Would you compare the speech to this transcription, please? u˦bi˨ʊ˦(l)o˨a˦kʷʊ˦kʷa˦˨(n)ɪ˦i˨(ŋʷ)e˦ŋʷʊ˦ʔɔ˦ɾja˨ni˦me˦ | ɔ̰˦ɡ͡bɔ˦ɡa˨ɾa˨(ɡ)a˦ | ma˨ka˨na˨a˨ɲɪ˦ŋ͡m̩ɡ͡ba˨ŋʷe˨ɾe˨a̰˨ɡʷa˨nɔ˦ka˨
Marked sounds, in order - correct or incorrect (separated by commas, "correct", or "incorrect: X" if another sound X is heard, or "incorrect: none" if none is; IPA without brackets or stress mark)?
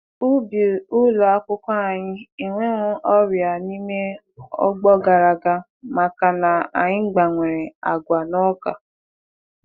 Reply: correct, incorrect: ɲ, correct, correct